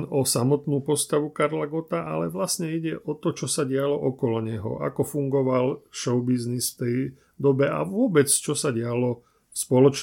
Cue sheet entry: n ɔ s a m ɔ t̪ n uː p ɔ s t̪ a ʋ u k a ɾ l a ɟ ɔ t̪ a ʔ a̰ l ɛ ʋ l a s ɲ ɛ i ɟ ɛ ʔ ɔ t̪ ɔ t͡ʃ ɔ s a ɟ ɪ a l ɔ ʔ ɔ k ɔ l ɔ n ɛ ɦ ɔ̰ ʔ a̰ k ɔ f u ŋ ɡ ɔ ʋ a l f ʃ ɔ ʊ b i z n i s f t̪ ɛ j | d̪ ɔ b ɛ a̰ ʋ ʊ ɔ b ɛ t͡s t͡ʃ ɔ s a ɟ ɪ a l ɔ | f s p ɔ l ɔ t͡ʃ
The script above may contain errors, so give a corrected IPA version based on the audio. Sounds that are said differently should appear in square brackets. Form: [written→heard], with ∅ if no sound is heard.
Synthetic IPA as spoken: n ɔ s a m ɔ t̪ n uː p ɔ s t̪ a ʋ u k a ɾ l a [ɟ→ɡ] ɔ t̪ a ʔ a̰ l ɛ ʋ l a s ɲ ɛ i ɟ ɛ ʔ ɔ t̪ ɔ t͡ʃ ɔ s a ɟ ɪ a l ɔ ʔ ɔ k ɔ l ɔ [n→ɲ] ɛ ɦ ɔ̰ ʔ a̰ k ɔ f u ŋ ɡ ɔ ʋ a l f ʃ ɔ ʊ b i z n i s f t̪ ɛ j | d̪ ɔ b ɛ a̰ ʋ ʊ ɔ b ɛ t͡s t͡ʃ ɔ s a ɟ ɪ a l ɔ | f s p ɔ l ɔ t͡ʃ